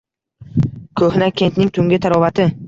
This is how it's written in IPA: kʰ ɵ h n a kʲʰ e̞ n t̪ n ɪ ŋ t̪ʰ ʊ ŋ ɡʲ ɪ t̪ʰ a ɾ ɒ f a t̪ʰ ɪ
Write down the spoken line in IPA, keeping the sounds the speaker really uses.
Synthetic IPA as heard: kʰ ɵ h n a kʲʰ e̞ n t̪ n ɪ ŋ t̪ʰ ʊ ŋ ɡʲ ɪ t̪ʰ a ɾ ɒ v a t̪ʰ ɪ